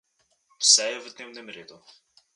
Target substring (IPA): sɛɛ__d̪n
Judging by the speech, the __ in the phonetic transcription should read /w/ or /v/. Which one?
v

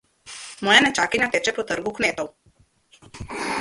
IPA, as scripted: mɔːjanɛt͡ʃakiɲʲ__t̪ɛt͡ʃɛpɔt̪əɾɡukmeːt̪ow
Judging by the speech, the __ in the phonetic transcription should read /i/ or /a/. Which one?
a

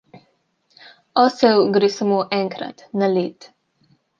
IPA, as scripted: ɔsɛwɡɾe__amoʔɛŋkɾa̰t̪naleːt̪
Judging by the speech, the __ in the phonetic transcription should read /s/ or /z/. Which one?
s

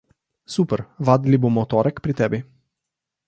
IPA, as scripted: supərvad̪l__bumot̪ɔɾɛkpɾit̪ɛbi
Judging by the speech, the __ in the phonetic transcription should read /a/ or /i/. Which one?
i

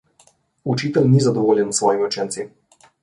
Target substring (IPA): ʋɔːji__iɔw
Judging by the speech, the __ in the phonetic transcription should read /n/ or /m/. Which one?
m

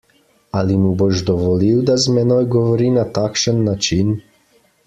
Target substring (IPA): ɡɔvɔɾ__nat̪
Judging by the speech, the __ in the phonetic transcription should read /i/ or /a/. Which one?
i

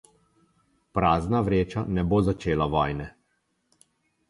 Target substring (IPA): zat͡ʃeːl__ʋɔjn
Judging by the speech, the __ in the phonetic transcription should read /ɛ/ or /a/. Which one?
a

